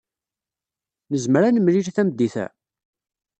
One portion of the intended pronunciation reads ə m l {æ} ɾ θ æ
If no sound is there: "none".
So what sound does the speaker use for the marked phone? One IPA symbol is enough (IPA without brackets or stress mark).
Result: i